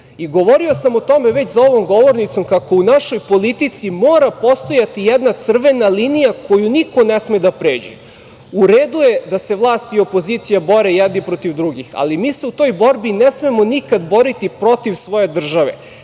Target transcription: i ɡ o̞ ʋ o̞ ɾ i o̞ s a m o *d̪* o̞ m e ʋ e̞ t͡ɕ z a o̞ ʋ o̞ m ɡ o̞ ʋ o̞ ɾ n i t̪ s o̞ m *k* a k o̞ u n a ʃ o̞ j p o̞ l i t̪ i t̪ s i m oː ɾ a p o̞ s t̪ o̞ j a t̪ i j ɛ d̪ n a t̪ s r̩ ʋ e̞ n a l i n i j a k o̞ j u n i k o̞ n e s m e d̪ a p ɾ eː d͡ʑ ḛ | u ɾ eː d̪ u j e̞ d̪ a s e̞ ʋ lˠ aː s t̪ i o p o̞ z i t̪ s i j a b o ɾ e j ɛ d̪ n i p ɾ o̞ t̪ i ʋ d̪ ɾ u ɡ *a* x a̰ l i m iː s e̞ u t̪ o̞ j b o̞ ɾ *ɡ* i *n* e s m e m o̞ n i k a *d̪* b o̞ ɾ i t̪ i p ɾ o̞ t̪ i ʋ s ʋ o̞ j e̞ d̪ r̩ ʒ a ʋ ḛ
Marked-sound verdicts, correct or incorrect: incorrect: t̪, correct, incorrect: i, incorrect: b, correct, correct

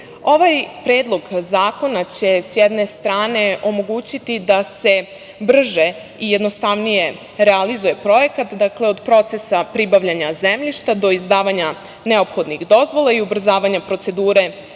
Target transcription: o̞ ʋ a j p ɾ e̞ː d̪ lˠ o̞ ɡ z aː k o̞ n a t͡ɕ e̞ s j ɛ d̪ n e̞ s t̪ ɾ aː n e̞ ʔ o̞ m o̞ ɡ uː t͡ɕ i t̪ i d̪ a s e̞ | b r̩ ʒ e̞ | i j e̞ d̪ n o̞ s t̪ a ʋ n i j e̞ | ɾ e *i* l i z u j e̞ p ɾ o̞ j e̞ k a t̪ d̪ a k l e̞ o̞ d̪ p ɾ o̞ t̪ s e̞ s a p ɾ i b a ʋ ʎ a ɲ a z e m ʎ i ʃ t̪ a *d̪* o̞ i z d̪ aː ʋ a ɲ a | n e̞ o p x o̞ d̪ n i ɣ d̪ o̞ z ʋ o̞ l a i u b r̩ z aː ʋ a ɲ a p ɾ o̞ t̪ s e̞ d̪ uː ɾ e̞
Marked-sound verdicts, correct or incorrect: incorrect: a, correct

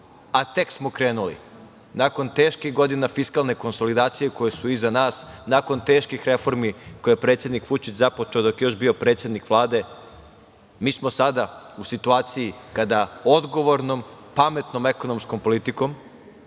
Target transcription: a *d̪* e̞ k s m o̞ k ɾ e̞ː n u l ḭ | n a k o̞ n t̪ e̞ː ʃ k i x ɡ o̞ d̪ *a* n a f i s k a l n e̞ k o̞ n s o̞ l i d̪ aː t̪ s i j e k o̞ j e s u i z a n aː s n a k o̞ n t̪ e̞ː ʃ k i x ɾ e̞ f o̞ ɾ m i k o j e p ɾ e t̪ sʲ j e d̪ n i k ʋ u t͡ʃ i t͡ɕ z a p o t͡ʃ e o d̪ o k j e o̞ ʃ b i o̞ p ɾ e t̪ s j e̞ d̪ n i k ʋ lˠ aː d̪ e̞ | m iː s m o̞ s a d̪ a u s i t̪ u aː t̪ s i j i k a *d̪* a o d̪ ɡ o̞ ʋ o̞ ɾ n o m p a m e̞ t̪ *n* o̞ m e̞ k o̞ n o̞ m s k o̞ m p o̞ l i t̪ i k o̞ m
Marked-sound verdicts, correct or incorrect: incorrect: t̪, incorrect: i, correct, correct

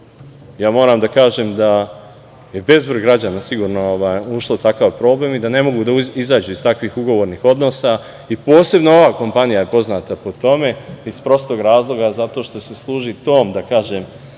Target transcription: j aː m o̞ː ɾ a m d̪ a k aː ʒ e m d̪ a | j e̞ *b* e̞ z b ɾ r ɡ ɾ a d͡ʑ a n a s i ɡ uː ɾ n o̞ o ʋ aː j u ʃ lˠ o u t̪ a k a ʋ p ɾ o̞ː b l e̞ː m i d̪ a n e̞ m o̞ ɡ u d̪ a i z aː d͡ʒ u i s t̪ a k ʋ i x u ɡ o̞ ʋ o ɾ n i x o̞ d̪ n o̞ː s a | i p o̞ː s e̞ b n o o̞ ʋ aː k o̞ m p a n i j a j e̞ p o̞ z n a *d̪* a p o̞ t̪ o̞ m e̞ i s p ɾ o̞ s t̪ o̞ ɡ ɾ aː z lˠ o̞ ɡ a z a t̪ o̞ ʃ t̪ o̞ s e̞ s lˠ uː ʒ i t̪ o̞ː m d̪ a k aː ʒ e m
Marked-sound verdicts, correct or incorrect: correct, incorrect: t̪

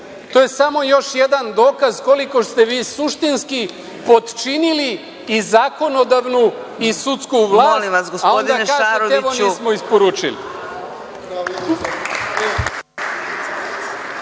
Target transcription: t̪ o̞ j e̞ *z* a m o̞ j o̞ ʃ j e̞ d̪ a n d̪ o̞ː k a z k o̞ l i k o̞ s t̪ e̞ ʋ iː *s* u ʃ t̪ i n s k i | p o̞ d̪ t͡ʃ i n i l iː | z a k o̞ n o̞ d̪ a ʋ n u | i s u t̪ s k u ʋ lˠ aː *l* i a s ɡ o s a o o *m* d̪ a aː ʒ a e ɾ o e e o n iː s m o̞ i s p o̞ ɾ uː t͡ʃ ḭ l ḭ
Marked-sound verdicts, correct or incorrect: incorrect: s, correct, correct, incorrect: n

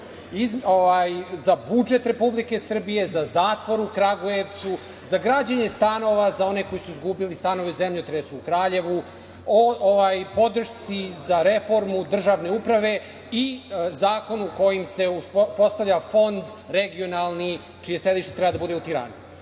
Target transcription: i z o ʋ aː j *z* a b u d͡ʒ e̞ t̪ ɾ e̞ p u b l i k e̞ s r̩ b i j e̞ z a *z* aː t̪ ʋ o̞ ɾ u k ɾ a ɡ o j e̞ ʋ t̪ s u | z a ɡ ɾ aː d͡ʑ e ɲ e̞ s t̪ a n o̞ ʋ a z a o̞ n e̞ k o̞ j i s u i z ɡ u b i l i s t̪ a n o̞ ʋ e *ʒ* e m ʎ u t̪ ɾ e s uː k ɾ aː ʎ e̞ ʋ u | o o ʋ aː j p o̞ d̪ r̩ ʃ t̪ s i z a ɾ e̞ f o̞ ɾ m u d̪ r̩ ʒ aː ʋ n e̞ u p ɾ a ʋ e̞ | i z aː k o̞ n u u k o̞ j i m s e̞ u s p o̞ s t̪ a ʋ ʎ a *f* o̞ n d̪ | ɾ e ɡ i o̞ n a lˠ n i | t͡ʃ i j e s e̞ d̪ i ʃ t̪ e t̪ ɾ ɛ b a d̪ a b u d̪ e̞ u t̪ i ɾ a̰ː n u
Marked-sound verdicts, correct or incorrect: correct, correct, incorrect: z, correct

